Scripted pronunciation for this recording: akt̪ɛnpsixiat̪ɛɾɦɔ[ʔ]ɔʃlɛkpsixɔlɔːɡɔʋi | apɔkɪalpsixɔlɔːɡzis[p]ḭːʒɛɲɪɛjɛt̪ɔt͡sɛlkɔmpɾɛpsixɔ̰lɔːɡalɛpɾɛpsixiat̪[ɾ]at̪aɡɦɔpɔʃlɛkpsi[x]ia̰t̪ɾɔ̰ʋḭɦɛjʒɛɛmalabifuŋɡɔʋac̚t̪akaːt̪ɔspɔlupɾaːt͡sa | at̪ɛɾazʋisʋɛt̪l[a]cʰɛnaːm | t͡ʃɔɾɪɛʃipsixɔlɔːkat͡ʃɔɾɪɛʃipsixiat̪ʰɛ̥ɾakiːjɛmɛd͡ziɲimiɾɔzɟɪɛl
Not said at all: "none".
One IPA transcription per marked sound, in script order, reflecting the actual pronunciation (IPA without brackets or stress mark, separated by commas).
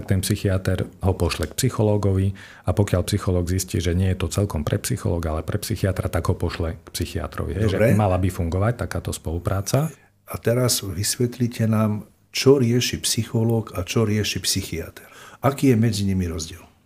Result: p, c, ɾ, x, i